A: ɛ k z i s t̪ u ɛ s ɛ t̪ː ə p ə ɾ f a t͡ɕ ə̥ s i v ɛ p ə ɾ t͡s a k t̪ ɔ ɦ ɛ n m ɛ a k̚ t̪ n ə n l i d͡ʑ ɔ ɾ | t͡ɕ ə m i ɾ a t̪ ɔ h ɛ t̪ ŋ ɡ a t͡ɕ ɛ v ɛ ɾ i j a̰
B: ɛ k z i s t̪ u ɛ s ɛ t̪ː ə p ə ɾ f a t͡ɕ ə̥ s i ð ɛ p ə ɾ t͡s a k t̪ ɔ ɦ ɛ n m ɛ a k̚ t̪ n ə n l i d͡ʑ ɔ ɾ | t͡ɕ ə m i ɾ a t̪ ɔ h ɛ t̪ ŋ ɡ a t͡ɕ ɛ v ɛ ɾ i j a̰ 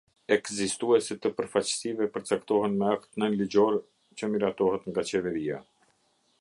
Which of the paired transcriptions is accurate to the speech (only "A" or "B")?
A